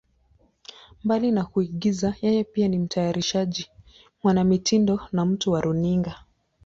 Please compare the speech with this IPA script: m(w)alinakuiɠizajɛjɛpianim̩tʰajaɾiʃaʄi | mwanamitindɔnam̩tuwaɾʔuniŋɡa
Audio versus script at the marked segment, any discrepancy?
yes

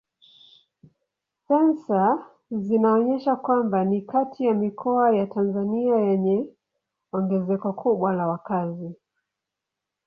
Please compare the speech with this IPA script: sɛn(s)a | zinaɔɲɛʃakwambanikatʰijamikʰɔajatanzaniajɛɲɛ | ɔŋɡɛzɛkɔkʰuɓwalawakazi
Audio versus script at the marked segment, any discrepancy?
no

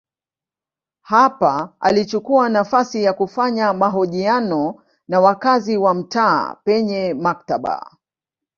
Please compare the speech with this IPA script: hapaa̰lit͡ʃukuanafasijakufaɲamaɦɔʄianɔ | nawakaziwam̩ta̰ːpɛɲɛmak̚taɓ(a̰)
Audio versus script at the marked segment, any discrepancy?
no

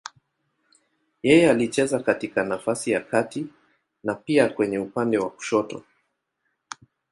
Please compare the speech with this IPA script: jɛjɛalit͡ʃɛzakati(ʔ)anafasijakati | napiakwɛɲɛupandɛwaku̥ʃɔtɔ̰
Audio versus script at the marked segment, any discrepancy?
yes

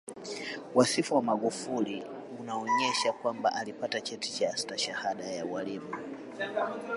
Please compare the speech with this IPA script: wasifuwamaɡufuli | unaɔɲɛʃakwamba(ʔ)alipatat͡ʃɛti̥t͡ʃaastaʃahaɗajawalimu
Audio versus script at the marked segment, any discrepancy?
no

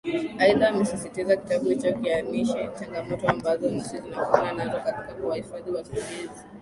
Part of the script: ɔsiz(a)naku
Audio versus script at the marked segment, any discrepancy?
yes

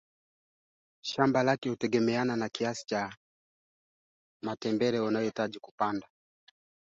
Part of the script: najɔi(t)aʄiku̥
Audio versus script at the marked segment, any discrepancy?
no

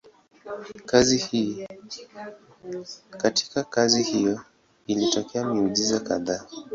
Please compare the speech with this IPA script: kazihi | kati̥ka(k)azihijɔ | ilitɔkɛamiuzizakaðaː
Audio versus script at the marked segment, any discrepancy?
no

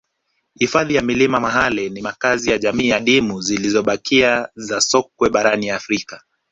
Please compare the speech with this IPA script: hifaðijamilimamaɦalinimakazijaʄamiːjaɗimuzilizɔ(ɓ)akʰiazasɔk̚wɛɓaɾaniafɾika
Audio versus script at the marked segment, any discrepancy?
no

